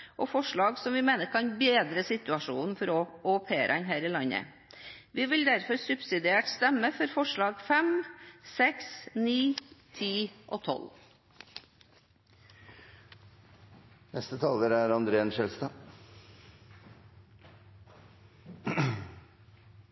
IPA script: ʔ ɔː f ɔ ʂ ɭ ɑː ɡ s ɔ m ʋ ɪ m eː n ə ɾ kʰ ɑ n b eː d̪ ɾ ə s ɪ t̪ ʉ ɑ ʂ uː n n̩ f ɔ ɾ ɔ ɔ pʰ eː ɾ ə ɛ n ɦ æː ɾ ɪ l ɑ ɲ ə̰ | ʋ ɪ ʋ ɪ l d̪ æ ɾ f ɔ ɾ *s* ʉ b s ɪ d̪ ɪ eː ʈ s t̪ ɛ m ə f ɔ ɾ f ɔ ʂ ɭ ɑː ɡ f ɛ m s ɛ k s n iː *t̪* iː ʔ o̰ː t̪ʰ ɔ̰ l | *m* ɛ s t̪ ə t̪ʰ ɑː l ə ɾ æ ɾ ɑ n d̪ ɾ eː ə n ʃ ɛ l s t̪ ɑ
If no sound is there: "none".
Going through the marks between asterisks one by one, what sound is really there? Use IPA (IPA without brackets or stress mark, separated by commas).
s, t̪ʰ, n